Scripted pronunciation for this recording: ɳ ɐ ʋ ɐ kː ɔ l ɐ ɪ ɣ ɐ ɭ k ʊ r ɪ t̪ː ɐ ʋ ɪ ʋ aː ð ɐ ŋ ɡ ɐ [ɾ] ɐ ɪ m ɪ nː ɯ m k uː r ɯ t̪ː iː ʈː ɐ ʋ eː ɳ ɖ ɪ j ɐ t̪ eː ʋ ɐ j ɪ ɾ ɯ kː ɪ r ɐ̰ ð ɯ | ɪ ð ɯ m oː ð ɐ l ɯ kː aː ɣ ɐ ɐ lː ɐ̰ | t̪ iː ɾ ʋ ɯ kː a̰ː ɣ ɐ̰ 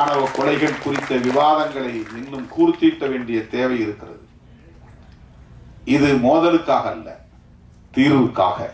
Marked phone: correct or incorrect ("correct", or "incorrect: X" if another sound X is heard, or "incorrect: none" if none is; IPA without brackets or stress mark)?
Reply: incorrect: ɭ